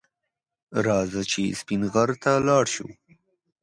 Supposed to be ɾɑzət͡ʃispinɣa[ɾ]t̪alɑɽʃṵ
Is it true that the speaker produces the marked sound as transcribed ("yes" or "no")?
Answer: yes